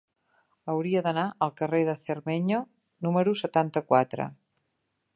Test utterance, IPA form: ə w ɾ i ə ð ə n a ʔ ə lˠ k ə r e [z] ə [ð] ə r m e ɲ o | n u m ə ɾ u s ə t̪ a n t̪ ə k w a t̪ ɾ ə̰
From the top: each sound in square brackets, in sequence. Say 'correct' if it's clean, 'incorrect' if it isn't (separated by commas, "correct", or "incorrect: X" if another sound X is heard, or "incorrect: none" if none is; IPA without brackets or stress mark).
incorrect: ð, incorrect: θ